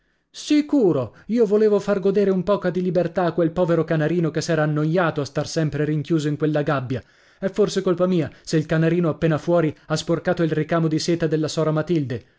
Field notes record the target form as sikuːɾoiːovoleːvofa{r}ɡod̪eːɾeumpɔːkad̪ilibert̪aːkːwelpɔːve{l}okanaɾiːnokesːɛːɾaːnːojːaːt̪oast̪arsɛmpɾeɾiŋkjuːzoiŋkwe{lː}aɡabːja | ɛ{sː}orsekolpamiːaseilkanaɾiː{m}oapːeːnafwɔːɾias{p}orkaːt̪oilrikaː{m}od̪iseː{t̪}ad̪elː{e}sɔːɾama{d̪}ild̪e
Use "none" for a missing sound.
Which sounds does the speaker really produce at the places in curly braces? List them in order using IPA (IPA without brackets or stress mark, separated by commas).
r, ɾ, lː, fː, n, p, m, t̪, a, t̪